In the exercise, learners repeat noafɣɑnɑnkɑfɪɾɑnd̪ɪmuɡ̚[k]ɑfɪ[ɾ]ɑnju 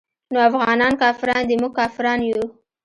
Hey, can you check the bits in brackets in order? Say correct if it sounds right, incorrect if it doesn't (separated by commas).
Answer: correct, correct